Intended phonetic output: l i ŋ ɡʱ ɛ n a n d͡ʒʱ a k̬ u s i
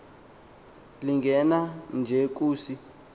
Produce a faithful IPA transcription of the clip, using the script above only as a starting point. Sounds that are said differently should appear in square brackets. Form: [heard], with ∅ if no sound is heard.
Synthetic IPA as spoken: l i ŋ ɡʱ ɛ n a n d͡ʒʱ [ɛ] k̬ [uː] s i